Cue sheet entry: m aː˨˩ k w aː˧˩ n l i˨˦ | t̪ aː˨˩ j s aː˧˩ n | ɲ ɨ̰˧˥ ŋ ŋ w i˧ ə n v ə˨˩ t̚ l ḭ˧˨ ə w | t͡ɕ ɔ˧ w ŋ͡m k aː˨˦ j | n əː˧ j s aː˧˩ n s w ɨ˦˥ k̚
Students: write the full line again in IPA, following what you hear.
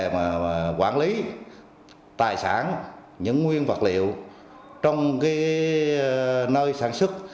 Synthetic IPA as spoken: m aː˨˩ k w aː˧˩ n l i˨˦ | t̪ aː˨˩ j s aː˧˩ n | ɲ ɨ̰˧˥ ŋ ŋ w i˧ ə n v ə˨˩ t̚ l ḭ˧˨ ə w | t͡ɕ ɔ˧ w ŋ͡m k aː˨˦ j | n əː˧ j s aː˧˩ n s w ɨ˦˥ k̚